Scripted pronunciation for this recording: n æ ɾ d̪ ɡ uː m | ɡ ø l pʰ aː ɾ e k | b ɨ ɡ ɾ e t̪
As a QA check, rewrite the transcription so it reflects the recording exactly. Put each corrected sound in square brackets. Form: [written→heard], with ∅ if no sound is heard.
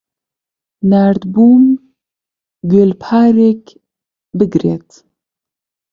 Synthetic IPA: n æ ɾ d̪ [ɡ→b] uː m | ɡ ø l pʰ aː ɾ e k | b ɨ ɡ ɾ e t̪